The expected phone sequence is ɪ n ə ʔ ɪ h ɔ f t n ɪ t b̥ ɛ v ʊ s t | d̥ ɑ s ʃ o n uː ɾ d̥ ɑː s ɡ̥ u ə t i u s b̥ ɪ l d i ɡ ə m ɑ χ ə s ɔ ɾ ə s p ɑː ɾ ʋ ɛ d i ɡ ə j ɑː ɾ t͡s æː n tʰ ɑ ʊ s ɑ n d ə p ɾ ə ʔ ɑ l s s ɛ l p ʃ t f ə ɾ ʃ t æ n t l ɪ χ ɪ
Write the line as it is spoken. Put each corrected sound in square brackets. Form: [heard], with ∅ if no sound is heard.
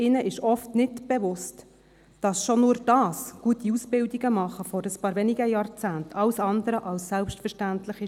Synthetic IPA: ɪ n ə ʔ ɪ [ʃ] ɔ f t n ɪ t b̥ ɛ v ʊ s t | d̥ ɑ s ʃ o n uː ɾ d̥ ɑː s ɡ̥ u ə t i u s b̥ ɪ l d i ɡ ə m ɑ χ ə [f] ɔ ɾ ə s p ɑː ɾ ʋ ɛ [n] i ɡ ə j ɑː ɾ t͡s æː n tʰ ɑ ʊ s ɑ n d ə [∅] ɾ ə ʔ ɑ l s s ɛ l p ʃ t f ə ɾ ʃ t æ n t l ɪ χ ɪ